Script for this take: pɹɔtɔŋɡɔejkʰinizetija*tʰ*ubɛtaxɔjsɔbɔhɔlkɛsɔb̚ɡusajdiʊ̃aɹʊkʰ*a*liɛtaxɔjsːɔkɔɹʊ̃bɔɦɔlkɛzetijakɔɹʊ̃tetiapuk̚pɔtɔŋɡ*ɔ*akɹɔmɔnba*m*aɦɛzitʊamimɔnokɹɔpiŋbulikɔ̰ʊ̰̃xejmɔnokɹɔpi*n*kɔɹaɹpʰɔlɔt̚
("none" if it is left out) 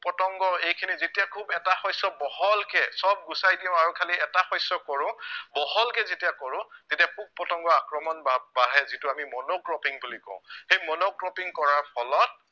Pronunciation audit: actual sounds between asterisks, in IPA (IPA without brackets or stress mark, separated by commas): kʰ, a, ɔ, b, ŋ